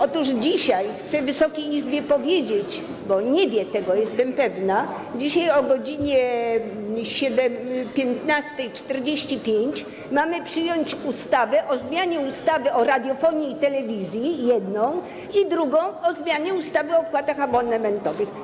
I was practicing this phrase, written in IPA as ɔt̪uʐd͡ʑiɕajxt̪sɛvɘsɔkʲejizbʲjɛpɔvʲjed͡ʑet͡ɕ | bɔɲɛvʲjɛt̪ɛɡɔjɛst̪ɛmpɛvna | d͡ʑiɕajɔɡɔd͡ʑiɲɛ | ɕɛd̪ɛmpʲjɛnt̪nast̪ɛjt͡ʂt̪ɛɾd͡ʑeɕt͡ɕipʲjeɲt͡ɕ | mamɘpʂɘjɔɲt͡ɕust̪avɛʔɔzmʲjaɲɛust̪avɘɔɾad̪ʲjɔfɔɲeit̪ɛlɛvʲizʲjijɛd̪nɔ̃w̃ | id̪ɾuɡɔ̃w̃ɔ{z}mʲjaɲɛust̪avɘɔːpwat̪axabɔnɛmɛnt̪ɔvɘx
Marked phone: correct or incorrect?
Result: correct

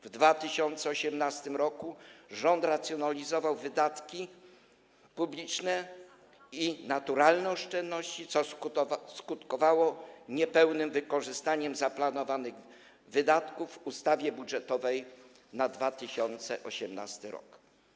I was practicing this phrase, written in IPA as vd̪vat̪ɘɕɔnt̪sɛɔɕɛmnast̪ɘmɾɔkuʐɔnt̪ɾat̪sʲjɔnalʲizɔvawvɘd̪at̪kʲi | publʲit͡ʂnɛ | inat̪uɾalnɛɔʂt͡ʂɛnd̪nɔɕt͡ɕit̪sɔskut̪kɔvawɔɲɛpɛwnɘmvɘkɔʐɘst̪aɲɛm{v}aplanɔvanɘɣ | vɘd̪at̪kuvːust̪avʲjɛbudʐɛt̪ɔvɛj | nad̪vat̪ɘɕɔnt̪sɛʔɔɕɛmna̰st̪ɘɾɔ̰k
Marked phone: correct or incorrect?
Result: incorrect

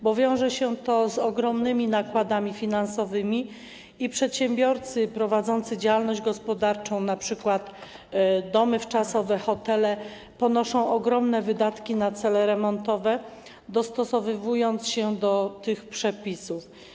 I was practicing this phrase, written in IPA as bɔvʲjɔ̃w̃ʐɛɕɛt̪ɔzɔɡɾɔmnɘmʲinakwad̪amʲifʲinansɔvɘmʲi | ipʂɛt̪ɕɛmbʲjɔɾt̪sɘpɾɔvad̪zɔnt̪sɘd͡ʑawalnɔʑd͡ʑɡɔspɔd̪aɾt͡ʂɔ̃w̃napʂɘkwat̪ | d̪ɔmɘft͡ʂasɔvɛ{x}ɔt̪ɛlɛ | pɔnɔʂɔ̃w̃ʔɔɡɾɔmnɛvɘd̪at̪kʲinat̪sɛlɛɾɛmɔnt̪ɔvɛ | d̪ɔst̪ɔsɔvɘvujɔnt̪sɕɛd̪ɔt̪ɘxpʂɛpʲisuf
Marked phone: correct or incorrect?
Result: correct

